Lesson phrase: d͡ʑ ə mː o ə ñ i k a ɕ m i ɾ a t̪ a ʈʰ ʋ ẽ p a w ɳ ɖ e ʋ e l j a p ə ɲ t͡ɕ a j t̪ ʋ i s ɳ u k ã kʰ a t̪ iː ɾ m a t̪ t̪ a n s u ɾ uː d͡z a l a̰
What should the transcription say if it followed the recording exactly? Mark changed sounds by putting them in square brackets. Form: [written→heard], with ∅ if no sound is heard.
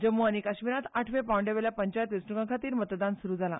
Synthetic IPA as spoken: d͡ʑ ə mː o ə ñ i k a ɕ m i ɾ a t̪ a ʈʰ ʋ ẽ p a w ɳ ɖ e ʋ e l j a p ə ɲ t͡ɕ a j t̪ ʋ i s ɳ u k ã kʰ a t̪ iː ɾ m [a→ə] t̪ [t̪→d̪] a n s u ɾ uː d͡z a l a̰